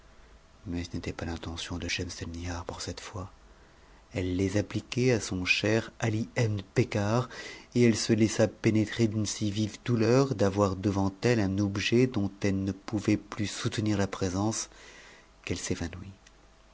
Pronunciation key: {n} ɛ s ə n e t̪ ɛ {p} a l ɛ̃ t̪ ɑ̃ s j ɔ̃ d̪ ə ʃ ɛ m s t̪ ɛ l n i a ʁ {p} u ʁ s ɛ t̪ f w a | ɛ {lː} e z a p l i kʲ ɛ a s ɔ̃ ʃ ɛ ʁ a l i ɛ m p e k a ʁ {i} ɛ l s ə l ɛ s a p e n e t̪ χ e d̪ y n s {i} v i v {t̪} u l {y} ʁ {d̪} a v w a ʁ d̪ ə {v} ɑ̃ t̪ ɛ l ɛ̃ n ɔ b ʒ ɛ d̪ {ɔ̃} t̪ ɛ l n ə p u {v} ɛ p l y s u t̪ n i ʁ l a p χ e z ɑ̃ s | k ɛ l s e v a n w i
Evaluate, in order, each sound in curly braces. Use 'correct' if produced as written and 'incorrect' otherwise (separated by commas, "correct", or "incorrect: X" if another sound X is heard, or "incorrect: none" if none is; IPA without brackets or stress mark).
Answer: incorrect: m, correct, correct, correct, incorrect: e, correct, incorrect: d̪, incorrect: œ, correct, correct, correct, correct